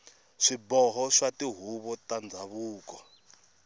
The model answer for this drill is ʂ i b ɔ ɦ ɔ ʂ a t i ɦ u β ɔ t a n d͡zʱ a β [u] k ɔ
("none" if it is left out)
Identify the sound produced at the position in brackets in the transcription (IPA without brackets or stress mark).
uː